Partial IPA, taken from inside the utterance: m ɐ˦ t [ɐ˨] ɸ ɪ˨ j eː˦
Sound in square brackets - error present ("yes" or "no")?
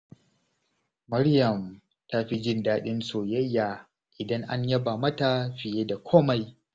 yes